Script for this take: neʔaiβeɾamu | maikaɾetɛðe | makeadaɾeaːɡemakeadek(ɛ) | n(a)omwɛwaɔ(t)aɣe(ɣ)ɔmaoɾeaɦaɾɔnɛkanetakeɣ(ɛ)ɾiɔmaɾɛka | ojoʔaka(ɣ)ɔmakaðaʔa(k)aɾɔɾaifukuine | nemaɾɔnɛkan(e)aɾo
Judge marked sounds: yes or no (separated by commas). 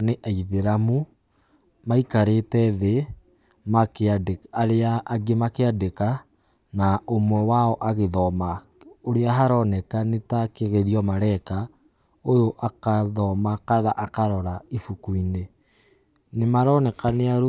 no, yes, no, no, no, no, yes, yes